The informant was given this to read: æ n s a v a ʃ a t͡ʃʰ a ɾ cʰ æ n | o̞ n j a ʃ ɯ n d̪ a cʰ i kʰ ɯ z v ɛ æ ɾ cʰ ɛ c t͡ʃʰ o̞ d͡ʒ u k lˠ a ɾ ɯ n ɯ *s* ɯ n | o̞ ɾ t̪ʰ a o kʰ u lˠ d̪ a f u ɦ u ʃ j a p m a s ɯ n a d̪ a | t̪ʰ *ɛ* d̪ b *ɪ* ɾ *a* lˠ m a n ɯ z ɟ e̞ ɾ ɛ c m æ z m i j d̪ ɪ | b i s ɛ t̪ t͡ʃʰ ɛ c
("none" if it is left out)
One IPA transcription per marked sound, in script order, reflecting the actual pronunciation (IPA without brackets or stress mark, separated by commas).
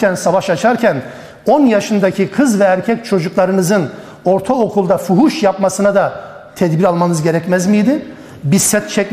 z, ɛ, i, a